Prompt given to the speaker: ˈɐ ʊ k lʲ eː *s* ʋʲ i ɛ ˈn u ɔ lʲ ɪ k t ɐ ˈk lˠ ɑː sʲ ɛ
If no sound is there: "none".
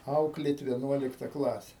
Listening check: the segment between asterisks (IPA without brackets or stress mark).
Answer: t